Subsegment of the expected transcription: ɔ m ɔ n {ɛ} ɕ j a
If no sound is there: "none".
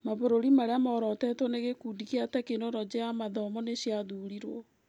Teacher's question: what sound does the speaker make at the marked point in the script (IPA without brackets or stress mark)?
e